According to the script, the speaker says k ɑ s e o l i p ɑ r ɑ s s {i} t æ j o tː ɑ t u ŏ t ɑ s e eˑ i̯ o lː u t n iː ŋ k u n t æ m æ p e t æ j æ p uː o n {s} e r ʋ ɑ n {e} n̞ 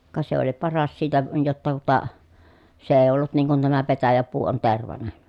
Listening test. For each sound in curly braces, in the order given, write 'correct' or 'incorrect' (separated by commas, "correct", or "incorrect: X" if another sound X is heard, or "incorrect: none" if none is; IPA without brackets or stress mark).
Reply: incorrect: iː, incorrect: t, correct